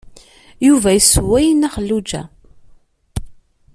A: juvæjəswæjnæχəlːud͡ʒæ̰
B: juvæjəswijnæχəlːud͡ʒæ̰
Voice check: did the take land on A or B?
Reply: A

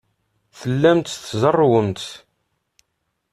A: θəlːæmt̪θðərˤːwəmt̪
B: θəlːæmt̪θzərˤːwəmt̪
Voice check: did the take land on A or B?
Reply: B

